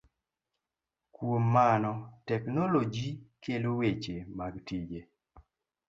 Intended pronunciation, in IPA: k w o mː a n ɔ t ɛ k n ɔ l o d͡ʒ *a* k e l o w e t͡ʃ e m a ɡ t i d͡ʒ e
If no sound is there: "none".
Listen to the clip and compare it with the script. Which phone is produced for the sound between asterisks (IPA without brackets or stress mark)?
i